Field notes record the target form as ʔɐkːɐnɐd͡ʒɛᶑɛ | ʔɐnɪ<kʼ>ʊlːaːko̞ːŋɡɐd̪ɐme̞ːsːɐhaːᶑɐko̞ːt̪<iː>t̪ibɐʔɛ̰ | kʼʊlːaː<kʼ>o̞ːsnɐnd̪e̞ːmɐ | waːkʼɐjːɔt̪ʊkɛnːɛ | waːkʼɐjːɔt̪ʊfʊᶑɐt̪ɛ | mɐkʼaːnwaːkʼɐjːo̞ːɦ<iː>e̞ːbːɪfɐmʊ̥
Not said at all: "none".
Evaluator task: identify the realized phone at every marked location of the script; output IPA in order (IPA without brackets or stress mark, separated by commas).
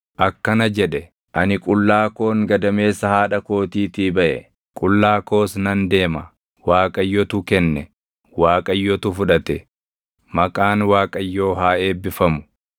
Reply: kʼ, iː, k, aː